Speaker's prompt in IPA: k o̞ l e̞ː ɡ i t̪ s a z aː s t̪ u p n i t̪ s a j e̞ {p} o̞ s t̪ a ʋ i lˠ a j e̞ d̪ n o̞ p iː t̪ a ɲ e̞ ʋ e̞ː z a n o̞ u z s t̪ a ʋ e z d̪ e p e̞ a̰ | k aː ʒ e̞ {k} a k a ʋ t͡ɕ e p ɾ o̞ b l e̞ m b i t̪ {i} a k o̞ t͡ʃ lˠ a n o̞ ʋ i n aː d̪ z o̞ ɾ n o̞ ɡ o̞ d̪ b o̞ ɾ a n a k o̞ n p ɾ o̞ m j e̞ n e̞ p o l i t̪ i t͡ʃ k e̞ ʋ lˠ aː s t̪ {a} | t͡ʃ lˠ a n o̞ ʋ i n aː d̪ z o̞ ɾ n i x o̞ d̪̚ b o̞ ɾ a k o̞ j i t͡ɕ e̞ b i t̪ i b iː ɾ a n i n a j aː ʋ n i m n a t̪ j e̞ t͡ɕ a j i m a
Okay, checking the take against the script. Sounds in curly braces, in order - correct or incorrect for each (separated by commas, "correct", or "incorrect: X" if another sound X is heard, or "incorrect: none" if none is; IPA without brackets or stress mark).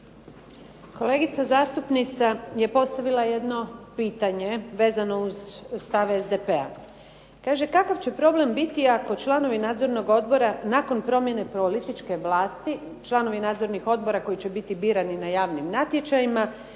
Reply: correct, correct, correct, incorrect: i